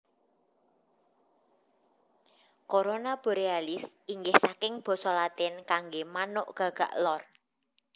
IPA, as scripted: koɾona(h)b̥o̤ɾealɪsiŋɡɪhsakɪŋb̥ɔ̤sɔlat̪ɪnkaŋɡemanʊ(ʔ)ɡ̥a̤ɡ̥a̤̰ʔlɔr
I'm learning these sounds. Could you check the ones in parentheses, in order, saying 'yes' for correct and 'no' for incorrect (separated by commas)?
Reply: no, yes